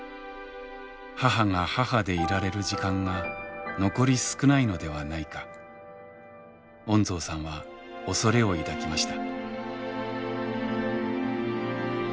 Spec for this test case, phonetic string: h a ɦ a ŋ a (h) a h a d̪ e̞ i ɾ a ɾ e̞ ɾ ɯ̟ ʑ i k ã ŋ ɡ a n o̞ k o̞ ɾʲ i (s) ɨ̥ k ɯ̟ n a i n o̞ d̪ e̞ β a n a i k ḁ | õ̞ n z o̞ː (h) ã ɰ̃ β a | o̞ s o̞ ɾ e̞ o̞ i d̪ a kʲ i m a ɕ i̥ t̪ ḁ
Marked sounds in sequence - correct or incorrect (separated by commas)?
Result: correct, correct, incorrect